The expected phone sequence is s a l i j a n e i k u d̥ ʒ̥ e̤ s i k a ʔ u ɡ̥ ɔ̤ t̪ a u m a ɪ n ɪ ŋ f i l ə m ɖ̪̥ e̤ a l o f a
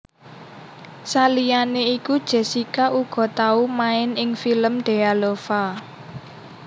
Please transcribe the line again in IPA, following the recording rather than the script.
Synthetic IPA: s a l i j a n e i k u d̥ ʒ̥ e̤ s i k a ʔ u ɡ̥ ɔ̤ t̪ a u m a ɪ n ɪ ŋ f i l ə m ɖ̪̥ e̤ a l o f a